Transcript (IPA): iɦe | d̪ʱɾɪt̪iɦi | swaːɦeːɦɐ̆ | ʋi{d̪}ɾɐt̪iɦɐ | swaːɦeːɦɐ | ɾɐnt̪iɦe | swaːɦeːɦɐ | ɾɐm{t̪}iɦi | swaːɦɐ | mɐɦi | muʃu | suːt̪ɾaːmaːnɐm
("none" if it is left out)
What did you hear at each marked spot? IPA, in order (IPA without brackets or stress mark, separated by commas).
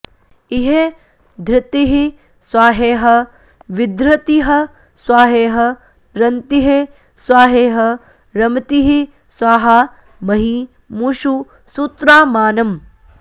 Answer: d̪, t̪